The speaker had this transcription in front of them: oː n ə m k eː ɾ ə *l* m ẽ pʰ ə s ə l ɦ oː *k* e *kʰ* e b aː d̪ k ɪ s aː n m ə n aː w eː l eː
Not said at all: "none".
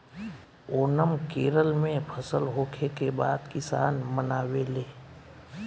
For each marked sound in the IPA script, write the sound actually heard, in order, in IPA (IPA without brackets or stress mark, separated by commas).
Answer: l, kʰ, k